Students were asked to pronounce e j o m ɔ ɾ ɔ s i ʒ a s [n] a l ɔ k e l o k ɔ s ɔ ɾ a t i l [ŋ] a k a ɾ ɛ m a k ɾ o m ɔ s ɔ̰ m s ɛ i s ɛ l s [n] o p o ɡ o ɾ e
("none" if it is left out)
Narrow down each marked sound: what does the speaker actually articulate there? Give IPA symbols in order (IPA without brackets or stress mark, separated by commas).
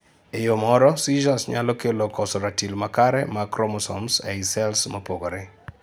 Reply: ɲ, m, m